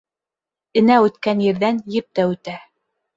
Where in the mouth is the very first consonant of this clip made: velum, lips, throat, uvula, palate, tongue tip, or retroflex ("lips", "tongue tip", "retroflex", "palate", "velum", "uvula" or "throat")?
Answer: tongue tip